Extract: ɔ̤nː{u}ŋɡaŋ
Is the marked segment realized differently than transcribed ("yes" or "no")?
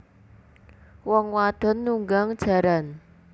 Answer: no